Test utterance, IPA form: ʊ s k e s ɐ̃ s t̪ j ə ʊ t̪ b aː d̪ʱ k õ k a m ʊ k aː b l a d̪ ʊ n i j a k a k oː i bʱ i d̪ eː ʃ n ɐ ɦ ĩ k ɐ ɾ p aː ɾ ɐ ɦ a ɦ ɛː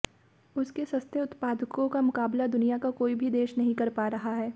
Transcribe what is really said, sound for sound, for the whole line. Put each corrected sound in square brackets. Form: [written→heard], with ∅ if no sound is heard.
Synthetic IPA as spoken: ʊ s k e s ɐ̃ s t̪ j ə ʊ t̪ [b→p] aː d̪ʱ k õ k a m ʊ k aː b l a d̪ ʊ n i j a k a k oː i bʱ i d̪ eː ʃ n ɐ ɦ ĩ k ɐ ɾ p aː ɾ ɐ ɦ a ɦ ɛː